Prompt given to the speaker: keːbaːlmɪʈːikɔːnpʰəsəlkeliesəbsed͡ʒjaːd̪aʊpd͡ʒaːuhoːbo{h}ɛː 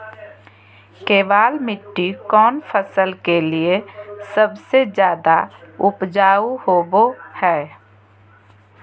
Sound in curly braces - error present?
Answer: no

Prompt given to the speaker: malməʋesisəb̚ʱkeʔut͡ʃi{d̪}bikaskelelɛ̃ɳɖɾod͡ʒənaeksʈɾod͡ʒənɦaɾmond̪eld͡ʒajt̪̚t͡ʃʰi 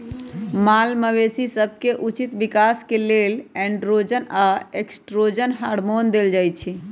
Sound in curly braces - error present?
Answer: yes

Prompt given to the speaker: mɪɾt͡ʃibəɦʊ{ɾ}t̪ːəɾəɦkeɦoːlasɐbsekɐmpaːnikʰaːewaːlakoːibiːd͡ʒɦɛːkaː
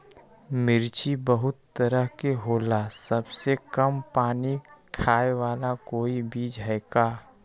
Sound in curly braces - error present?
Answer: yes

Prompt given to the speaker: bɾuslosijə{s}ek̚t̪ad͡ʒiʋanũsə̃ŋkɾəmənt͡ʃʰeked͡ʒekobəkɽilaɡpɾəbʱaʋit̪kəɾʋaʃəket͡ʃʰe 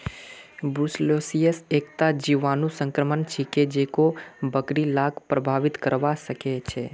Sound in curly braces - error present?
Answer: no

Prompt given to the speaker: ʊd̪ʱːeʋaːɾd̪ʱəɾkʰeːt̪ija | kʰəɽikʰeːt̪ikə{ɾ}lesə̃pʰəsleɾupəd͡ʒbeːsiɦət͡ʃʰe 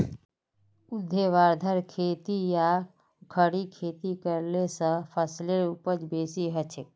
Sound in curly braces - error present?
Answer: no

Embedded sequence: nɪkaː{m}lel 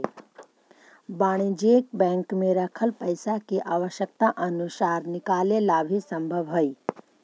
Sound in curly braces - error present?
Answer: yes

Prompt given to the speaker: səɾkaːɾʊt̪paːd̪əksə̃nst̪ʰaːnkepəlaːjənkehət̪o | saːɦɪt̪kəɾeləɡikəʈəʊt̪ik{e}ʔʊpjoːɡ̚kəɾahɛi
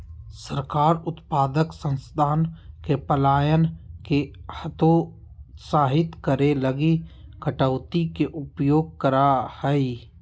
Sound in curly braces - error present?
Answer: no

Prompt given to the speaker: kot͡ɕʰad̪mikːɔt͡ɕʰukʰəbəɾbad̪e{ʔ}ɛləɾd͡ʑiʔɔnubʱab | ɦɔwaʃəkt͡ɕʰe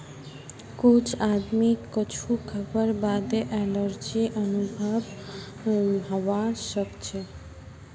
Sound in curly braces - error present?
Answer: no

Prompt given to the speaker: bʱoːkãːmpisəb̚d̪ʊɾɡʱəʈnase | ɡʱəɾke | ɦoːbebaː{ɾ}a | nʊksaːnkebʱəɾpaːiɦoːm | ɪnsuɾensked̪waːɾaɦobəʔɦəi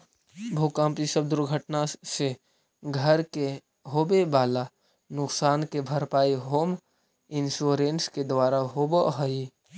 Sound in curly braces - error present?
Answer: yes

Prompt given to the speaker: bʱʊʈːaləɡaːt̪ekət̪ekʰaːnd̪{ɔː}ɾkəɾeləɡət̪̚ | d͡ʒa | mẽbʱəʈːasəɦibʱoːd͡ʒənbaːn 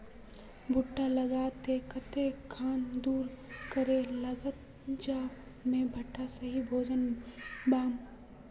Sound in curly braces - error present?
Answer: yes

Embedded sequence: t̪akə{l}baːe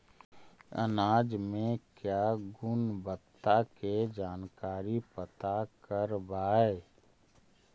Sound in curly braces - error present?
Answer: yes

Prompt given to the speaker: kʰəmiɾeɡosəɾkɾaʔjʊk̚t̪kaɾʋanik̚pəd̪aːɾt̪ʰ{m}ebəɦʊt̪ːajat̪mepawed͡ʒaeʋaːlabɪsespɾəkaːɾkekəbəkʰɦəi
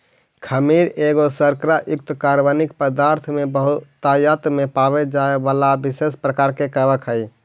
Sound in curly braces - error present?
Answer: no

